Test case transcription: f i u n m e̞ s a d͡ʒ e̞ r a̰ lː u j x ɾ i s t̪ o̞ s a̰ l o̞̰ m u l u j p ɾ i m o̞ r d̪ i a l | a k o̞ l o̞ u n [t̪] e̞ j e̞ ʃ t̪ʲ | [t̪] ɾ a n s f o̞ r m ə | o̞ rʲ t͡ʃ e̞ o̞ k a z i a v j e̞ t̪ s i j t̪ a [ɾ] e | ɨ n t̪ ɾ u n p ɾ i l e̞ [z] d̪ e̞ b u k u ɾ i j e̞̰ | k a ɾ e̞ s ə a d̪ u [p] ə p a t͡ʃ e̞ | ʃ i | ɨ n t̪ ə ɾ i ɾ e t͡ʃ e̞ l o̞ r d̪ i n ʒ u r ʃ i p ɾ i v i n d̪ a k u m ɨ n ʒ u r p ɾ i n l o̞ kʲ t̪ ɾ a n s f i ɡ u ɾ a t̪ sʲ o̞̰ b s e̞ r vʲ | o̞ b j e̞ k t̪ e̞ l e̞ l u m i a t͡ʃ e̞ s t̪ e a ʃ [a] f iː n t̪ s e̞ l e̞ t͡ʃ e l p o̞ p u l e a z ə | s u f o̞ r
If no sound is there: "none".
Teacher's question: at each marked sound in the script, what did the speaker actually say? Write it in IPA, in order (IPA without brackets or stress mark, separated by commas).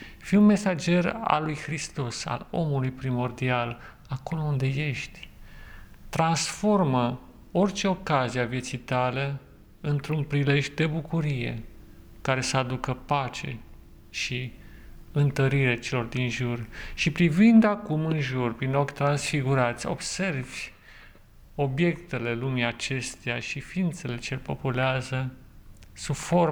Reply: d̪, t̪, l, ʒ, k, i